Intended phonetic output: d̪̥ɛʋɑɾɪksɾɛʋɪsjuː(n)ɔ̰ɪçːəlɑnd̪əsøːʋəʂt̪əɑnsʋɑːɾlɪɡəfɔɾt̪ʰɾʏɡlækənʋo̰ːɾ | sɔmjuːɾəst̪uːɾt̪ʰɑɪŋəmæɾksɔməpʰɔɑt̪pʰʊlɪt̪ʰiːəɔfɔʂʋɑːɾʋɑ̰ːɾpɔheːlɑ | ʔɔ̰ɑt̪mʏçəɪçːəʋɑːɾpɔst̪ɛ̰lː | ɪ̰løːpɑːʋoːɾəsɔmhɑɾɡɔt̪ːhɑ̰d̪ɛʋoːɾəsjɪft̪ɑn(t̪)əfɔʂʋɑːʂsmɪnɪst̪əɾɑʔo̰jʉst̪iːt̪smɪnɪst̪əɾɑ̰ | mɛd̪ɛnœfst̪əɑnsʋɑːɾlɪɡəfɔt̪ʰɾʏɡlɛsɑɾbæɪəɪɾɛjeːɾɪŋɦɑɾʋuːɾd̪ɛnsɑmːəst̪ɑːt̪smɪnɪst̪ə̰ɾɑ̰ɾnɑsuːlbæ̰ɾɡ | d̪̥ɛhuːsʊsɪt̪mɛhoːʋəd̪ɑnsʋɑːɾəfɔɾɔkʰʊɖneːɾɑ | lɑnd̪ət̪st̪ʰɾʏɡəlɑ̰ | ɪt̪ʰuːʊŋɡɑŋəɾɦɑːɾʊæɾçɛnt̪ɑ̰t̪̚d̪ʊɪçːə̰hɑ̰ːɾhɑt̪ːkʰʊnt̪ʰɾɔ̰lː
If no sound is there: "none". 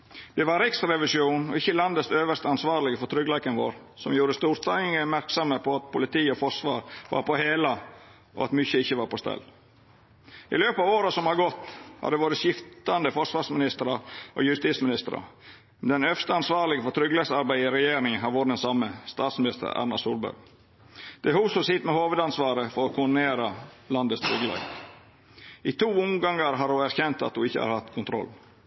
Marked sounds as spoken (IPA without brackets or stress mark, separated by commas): n, d̪